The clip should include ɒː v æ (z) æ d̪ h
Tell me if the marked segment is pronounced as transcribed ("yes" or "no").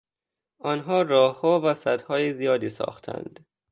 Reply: no